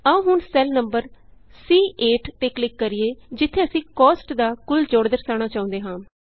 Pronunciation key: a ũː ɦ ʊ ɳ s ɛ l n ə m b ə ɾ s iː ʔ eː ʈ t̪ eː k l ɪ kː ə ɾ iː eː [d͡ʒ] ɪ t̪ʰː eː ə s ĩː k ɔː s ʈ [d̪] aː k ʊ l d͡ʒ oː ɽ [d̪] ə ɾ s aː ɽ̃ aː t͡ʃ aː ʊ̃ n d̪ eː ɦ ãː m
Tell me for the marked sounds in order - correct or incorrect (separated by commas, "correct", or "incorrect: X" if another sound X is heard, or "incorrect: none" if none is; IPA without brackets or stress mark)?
correct, correct, correct